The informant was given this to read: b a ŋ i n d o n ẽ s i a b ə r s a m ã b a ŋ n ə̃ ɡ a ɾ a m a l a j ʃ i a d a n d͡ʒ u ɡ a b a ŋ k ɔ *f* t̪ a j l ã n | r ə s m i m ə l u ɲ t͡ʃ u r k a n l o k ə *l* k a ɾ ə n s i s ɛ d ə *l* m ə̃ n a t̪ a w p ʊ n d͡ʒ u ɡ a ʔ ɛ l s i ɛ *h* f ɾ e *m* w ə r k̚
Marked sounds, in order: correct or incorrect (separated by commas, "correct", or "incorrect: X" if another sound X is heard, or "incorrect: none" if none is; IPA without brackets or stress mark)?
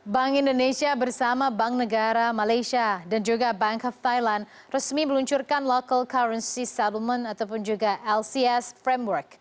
correct, correct, correct, incorrect: s, correct